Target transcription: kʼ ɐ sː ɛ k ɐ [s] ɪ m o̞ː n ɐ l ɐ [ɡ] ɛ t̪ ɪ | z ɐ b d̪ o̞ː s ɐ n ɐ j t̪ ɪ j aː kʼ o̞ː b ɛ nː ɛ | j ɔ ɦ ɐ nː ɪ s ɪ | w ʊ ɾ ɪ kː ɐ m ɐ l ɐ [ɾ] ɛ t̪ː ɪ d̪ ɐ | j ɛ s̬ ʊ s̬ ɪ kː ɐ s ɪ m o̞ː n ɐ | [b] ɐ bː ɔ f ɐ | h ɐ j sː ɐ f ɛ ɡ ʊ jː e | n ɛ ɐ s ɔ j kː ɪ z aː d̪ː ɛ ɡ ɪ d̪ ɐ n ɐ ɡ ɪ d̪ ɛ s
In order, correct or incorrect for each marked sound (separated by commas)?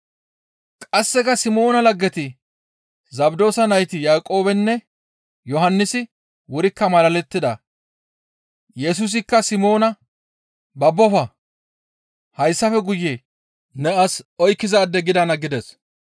correct, incorrect, incorrect, correct